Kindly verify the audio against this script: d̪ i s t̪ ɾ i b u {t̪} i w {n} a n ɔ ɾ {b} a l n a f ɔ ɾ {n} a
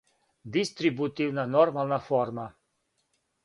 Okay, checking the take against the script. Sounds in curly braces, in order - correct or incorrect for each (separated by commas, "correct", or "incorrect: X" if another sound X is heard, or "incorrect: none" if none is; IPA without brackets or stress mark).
correct, correct, incorrect: m, incorrect: m